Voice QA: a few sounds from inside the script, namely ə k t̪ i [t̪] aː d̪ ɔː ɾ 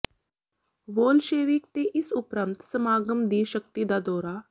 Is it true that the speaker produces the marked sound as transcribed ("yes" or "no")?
no